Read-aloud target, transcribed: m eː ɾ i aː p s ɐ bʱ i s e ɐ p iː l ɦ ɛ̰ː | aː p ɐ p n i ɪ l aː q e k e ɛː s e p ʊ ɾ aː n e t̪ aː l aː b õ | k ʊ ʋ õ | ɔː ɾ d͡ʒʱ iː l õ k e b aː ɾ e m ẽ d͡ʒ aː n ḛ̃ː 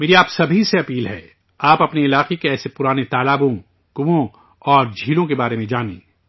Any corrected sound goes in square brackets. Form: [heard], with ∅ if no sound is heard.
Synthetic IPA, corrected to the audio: m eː ɾ i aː p s ɐ bʱ i s e ɐ p iː l ɦ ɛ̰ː | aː p ɐ p n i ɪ l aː q e k e ɛː s e p ʊ ɾ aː n e t̪ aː l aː b õ | k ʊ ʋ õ | ɔː ɾ d͡ʒʱ iː l õ k e b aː ɾ e m ẽ d͡ʒ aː n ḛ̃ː